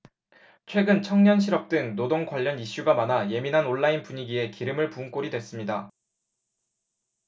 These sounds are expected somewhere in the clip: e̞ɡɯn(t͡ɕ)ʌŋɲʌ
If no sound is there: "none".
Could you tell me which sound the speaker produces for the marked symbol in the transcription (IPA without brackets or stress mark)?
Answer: t͡ɕʰ